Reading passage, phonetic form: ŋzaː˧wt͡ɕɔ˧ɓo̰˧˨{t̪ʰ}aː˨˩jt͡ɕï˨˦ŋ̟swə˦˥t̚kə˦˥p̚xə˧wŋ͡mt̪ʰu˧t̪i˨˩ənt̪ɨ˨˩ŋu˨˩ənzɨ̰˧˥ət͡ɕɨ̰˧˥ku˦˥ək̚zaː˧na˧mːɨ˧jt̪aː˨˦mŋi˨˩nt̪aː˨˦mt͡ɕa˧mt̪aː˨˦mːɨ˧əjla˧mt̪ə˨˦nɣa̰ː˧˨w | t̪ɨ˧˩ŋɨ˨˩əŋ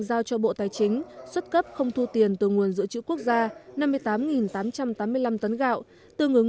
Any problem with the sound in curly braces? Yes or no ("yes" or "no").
yes